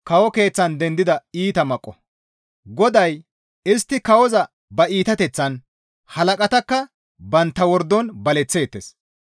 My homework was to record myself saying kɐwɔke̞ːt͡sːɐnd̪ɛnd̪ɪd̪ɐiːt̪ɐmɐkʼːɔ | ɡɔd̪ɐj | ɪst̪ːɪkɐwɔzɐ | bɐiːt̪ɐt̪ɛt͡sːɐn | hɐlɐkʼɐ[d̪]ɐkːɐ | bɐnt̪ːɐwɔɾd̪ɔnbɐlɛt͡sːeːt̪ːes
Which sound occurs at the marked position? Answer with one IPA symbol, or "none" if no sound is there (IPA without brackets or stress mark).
t̪